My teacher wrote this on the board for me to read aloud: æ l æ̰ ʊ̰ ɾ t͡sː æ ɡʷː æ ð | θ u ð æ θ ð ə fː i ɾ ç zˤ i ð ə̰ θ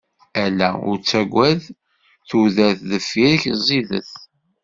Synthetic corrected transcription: æ l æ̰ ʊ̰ ɾ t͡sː æ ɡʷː æ ð | θ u ð æ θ ð ə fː i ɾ ç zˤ i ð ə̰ θ